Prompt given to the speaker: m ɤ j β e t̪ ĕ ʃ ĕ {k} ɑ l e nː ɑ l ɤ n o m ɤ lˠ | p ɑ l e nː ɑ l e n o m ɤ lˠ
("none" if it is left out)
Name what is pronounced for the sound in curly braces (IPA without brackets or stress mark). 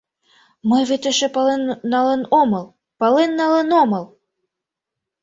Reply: p